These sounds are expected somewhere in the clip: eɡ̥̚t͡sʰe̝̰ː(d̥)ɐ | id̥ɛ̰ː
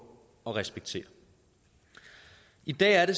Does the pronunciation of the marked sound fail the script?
yes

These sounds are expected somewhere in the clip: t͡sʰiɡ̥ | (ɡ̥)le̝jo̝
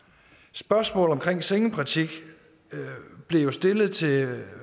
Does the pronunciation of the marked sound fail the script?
yes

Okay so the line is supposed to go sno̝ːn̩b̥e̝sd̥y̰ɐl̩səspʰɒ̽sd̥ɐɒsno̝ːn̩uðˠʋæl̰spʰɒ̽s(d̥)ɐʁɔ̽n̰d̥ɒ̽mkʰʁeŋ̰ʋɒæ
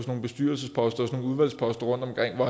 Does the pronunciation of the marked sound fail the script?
no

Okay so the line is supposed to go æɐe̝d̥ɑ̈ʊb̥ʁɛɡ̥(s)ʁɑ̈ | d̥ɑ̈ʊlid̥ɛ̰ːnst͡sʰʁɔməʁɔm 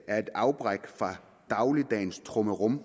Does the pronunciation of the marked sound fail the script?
yes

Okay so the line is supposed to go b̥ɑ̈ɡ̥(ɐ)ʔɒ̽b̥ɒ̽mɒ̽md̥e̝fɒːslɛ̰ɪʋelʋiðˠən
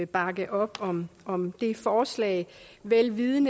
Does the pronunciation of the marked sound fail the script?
yes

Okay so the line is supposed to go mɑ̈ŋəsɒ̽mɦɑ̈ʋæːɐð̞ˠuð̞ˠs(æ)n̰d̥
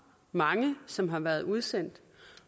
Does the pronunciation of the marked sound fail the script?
yes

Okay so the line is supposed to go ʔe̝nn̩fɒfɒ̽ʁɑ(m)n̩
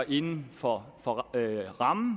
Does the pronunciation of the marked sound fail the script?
no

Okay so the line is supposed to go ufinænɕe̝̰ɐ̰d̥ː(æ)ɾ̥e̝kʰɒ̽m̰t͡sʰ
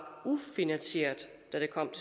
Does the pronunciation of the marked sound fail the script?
no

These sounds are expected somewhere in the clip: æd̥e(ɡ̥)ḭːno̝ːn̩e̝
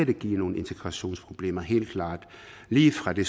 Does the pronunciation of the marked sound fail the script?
no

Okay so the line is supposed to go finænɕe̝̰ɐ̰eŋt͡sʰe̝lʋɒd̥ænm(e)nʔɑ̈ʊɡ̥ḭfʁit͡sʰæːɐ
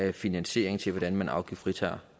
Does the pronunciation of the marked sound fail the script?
yes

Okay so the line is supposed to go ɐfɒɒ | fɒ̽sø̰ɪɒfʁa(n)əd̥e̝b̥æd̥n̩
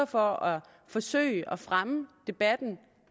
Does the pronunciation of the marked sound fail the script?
yes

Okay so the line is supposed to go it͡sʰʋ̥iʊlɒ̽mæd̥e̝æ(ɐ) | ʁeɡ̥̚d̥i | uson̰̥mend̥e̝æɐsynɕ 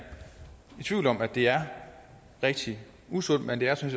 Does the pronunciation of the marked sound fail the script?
no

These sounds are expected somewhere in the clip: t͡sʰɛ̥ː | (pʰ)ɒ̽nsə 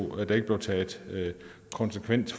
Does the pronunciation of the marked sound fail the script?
yes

